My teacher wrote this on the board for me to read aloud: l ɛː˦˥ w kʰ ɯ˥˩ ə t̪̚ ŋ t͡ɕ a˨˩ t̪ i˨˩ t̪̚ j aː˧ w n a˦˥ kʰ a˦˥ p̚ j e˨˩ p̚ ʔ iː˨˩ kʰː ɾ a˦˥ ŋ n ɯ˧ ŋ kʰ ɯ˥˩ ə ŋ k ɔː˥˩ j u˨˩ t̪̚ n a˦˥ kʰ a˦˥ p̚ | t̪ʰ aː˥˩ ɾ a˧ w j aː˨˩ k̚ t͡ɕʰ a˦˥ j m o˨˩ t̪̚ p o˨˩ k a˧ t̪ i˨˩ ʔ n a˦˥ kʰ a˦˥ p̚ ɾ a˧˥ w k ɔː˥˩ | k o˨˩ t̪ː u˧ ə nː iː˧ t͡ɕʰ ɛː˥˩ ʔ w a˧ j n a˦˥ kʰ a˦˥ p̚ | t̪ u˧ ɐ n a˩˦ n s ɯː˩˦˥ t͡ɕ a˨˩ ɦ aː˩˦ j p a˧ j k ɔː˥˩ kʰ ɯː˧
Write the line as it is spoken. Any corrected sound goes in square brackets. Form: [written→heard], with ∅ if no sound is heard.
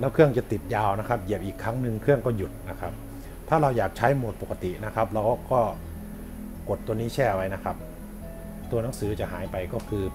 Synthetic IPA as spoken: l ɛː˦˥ w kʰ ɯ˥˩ ə [t̪̚→∅] ŋ t͡ɕ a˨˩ t̪ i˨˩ t̪̚ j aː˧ w n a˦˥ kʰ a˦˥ p̚ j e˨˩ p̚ ʔ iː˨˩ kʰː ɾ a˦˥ ŋ n ɯ˧ ŋ kʰ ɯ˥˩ ə ŋ k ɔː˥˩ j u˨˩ t̪̚ n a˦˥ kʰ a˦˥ p̚ | t̪ʰ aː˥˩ ɾ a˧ w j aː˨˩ k̚ t͡ɕʰ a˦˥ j m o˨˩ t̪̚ p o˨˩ k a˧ t̪ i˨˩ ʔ n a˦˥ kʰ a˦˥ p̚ ɾ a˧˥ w k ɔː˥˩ | k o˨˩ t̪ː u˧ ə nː [iː˧→iː˦˥] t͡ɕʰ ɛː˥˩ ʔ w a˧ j n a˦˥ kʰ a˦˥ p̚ | t̪ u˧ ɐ n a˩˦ [n→ŋ] s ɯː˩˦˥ t͡ɕ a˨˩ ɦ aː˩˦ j p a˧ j k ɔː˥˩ kʰ ɯː˧